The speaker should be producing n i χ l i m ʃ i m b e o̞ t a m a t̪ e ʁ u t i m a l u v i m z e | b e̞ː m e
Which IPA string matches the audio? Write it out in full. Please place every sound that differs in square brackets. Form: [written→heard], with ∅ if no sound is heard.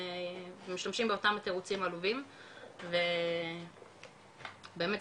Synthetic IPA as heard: [n→m] i [χ→ʃ] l [i→a] m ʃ i m b e o̞ t a m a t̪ e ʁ u [t→t͡s] i m a l u v i m [z→v] e | b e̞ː m e